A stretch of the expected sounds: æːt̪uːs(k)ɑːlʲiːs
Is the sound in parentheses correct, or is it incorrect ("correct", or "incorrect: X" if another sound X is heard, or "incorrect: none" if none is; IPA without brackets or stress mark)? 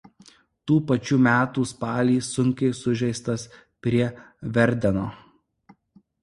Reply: incorrect: p